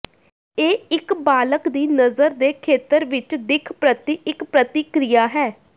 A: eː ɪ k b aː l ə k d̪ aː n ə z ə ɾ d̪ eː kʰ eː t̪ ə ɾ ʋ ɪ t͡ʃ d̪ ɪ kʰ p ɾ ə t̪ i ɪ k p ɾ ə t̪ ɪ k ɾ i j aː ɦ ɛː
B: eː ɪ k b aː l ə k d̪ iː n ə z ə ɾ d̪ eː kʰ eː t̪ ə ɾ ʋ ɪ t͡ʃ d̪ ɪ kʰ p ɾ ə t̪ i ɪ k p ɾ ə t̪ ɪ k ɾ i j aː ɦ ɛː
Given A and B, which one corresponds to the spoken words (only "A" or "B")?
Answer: B